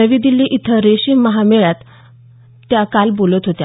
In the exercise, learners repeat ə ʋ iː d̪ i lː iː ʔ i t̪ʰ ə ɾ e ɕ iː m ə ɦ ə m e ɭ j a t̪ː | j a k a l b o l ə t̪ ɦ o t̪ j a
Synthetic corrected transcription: ə ʋ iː d̪ i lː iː ʔ i t̪ʰ ə ɾ e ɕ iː m ə ɦ a m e ɭ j a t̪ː | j a k a l b o l ə t̪ ɦ o t̪ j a